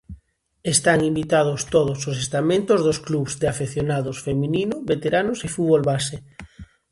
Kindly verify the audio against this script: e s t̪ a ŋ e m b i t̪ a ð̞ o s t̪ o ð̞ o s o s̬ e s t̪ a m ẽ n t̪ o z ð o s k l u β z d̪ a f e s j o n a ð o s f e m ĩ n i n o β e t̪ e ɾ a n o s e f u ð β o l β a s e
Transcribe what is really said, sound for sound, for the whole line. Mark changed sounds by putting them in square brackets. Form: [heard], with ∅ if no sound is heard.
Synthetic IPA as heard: e s t̪ a ŋ [i] m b i t̪ a ð̞ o s t̪ o ð̞ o s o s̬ e s t̪ a m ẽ n t̪ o z ð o s k l u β z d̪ a f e [θ] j o n a ð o s f e m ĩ n i n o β e t̪ e ɾ a n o s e f u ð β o l β a s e